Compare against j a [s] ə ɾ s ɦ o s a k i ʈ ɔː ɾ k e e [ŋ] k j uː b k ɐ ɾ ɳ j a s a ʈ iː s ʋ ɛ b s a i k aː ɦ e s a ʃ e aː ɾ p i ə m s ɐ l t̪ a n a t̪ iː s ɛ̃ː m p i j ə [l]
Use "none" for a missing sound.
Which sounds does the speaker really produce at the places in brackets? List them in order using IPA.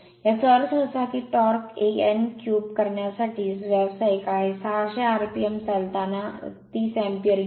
s, n, ɾ

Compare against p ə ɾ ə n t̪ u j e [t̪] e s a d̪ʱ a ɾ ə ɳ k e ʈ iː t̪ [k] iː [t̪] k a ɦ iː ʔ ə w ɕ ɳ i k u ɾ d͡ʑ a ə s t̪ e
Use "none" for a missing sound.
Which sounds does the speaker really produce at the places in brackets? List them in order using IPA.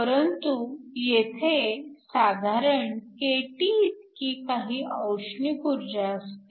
t̪ʰ, k, none

